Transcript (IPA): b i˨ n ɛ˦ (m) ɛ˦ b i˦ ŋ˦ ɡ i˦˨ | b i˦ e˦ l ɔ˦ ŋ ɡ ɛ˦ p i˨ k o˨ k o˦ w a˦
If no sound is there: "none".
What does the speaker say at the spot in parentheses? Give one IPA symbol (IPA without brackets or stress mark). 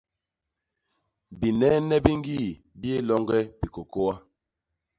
n